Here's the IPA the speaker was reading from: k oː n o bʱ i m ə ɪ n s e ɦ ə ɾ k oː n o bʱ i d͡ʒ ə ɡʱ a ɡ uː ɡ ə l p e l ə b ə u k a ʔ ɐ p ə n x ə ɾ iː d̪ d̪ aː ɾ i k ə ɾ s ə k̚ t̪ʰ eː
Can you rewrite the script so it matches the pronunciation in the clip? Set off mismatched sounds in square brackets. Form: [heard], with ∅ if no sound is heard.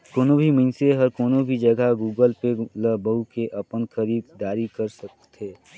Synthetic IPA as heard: k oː n o bʱ i m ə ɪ n s e ɦ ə ɾ k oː n o bʱ i d͡ʒ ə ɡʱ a ɡ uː ɡ ə l p e l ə b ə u k [e] ʔ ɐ p ə n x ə ɾ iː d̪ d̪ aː ɾ i k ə ɾ s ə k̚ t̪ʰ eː